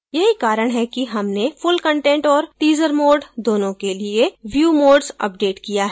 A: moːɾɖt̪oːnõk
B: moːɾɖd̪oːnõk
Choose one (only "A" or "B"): B